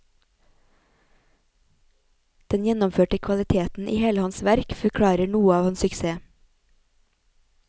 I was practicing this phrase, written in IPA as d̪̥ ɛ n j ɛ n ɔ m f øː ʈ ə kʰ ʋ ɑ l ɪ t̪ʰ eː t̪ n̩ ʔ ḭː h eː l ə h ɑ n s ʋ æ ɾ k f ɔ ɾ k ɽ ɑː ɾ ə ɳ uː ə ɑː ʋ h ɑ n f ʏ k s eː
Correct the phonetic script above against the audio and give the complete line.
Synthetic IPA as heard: d̪̥ ɛ n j ɛ n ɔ m f øː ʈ ə kʰ ʋ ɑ l ɪ t̪ʰ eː t̪ n̩ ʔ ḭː h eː l ə h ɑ n s ʋ æ ɾ k f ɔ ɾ kʰ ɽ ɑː ɾ ə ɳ uː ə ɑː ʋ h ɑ n s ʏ k s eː